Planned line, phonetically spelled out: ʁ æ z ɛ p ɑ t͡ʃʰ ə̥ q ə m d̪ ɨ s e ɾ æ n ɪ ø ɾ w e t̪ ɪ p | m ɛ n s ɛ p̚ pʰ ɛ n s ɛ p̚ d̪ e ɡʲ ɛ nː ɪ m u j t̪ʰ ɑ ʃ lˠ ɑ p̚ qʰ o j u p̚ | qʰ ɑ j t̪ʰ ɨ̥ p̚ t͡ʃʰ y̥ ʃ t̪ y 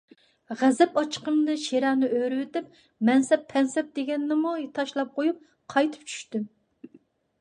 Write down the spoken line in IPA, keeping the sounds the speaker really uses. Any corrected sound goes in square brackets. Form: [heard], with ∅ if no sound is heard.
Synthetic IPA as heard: ʁ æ z ɛ p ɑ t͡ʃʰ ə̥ q ə m d̪ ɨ [ʃ] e ɾ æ n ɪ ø ɾ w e t̪ ɪ p | m ɛ n s ɛ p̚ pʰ ɛ n s ɛ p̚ d̪ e ɡʲ ɛ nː ɪ m u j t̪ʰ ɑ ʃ lˠ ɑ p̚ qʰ o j u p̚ | qʰ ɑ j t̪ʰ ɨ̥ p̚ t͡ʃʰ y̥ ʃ t̪ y